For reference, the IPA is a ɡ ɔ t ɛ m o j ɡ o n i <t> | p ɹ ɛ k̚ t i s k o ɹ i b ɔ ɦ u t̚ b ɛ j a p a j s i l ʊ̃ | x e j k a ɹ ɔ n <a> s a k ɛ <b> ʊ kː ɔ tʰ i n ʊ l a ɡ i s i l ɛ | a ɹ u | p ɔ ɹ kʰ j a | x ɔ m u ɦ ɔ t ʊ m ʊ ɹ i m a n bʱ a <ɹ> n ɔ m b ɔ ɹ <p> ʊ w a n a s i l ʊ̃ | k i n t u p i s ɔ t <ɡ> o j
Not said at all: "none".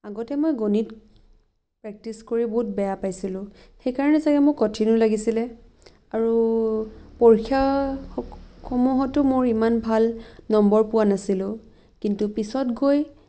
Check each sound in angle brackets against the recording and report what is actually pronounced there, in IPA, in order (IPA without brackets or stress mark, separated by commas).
t, ɛ, m, l, p, ɡ